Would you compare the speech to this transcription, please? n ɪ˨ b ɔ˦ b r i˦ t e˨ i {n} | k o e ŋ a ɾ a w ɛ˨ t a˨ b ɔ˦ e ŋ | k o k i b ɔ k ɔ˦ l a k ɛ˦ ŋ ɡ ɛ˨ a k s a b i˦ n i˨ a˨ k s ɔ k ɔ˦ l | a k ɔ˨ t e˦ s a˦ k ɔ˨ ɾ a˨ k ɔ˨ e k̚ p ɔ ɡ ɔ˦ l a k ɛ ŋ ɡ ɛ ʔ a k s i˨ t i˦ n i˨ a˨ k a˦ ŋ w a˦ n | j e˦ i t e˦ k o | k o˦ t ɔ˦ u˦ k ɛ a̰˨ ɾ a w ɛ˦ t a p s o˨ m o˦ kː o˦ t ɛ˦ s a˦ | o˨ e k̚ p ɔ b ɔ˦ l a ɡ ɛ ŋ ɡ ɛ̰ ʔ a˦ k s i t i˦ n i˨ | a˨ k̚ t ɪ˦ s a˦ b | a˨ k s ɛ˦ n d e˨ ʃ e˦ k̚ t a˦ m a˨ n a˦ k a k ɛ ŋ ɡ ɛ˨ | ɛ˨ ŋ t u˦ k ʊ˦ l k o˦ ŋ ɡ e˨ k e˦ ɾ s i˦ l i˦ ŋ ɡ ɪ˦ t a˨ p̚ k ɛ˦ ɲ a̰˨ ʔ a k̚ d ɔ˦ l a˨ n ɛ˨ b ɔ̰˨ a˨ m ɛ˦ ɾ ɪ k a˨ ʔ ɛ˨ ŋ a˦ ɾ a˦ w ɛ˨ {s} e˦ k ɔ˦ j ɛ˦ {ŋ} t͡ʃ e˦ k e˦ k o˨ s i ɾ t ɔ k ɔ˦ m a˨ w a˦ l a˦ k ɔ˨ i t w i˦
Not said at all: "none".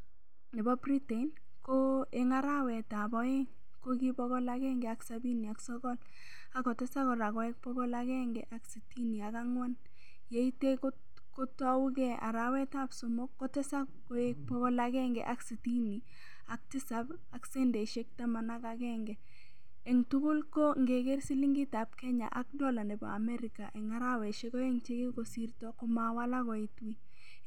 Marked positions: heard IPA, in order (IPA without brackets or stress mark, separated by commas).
n, ʃ, ŋ